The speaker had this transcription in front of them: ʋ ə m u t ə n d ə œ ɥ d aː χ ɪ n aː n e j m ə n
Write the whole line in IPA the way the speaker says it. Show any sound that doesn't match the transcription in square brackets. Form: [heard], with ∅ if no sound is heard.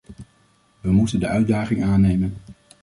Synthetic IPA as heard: ʋ ə m u t ə n d ə œ ɥ d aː χ ɪ [ŋ] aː n e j m ə n